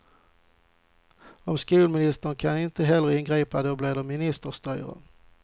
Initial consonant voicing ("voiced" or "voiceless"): voiced